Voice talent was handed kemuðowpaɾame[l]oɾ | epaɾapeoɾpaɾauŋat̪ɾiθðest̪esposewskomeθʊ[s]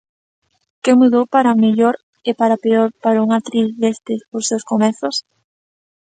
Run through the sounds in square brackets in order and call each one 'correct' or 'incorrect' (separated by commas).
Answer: incorrect, correct